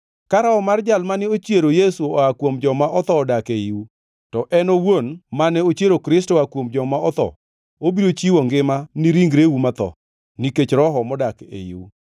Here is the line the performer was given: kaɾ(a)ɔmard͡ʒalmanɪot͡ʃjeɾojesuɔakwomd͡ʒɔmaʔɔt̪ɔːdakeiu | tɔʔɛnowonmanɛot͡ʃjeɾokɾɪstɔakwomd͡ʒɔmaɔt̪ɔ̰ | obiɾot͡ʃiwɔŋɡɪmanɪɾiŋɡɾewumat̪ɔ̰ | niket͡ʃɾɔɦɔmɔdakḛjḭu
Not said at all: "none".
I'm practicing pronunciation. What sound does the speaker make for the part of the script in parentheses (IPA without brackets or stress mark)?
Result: a